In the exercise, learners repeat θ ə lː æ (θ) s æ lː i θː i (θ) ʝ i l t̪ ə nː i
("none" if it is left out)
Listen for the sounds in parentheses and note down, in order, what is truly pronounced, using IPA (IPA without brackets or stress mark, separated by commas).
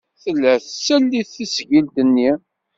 θ, s